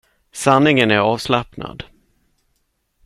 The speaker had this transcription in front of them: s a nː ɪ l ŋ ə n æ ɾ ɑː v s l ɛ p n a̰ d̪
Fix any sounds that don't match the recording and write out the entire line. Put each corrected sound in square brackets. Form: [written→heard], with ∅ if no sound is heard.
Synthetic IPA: s a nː ɪ [l→∅] ŋ ə n æ ɾ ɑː v s l [ɛ→a] p n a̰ d̪